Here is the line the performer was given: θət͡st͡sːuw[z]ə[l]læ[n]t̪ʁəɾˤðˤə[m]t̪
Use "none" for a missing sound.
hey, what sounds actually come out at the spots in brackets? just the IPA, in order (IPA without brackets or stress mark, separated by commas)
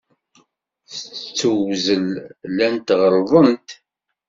z, l, n, n